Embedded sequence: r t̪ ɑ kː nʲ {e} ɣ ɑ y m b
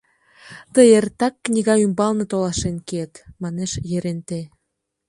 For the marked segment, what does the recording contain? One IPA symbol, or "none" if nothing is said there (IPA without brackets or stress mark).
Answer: i